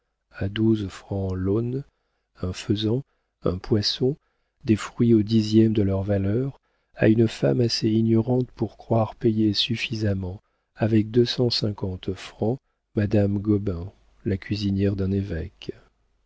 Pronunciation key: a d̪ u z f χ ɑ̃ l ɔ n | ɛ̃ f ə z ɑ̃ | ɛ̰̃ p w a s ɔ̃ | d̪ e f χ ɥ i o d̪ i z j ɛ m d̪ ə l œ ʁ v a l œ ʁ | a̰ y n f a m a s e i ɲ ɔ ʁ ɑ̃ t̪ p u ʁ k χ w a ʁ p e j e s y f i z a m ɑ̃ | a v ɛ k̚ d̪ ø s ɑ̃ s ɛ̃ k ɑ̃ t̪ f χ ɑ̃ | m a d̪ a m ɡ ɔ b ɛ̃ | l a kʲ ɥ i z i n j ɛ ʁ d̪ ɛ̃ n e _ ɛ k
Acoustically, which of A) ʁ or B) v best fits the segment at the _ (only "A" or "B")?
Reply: B